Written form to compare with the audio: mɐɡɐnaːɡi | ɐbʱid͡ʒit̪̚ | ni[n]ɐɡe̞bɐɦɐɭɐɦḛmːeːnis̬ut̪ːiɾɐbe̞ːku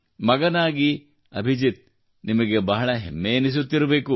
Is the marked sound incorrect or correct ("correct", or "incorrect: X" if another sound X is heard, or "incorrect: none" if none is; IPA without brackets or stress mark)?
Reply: incorrect: m